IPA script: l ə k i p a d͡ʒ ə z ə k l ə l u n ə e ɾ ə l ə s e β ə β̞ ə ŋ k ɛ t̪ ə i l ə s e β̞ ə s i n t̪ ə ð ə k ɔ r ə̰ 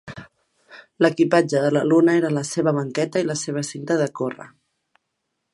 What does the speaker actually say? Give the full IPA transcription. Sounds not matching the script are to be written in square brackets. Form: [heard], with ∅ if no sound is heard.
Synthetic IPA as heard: l ə k i p a d͡ʒ ə [ð] ə [∅] l ə l u n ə e ɾ ə l ə s e β ə β̞ ə ŋ k ɛ t̪ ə i l ə s e β̞ ə s i n t̪ ə ð ə k [o] r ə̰